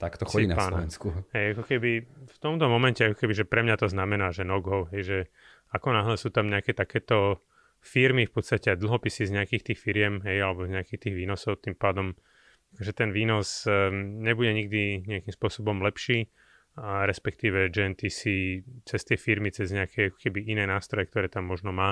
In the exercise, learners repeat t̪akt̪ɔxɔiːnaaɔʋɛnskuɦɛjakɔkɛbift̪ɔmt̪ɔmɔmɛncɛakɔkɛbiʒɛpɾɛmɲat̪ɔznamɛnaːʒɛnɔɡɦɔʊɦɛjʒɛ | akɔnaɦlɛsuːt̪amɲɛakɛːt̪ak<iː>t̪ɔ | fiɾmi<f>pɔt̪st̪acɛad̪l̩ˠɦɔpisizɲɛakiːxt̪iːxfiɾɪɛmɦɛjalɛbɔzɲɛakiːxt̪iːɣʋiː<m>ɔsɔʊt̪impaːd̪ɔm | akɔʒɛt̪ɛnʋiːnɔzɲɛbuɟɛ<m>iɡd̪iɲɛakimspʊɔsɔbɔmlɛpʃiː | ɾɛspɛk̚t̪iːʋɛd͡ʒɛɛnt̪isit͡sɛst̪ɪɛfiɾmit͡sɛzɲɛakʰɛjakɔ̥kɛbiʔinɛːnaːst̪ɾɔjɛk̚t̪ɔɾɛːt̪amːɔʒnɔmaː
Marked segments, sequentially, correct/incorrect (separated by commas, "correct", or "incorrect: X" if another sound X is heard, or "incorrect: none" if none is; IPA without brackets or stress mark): incorrect: ɛː, correct, incorrect: n, incorrect: ɲ